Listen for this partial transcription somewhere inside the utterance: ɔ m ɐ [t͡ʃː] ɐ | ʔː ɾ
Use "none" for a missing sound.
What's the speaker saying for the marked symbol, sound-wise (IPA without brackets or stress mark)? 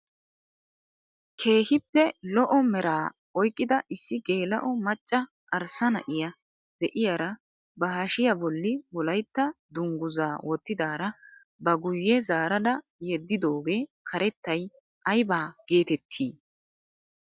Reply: t͡ʃʼː